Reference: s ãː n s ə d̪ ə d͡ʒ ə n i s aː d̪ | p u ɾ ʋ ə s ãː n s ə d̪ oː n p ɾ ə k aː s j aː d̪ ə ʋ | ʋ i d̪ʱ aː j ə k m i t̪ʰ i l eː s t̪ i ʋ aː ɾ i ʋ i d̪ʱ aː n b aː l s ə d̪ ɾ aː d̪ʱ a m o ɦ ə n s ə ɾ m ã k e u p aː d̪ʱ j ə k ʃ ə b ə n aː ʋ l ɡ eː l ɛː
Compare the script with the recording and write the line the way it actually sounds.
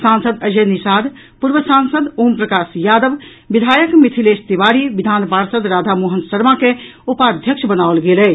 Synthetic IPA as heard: s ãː n s ə d̪ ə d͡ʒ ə n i s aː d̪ | p u ɾ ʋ ə s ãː n s ə d̪ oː m p ɾ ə k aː s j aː d̪ ə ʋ | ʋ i d̪ʱ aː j ə k m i t̪ʰ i l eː s t̪ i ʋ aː ɾ i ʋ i d̪ʱ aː n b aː ɾ s ə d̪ ɾ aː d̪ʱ a m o ɦ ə n s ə ɾ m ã k e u p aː d̪ʱ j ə k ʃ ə b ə n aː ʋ l ɡ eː l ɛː